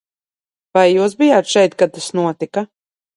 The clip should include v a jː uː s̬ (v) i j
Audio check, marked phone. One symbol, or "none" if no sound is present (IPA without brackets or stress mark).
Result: b